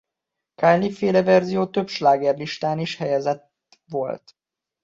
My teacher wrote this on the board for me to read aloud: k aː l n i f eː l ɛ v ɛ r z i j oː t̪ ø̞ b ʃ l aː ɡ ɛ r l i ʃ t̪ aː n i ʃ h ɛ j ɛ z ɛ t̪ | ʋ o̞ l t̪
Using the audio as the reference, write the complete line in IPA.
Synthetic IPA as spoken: k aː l n i f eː l ɛ v ɛ r z i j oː t̪ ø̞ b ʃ l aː ɡ ɛ r l i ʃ t̪ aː n i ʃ h ɛ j ɛ z ɛ t̪ | ʋ o̞ l t̪